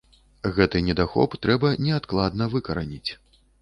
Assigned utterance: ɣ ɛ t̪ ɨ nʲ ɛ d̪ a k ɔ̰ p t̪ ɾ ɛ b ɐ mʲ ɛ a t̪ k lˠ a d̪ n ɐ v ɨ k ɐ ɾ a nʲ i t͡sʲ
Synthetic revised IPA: ɣ ɛ t̪ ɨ nʲ ɛ d̪ a x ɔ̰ p t̪ ɾ ɛ b ɐ nʲ ɛ a t̪ k lˠ a d̪ n ɐ v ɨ k ɐ ɾ a nʲ i t͡sʲ